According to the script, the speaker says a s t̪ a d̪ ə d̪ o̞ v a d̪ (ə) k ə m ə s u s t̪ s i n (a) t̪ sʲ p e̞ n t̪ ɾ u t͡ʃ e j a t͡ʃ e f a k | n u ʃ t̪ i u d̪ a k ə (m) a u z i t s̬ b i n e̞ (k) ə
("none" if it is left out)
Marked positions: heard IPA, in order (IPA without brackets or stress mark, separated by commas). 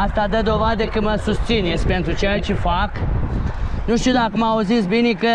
ə, e, m, k